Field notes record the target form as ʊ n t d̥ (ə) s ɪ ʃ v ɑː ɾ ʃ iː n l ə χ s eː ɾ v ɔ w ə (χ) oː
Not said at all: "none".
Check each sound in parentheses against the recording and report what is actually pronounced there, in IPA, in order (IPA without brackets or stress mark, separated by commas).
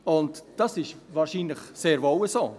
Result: ɑ, s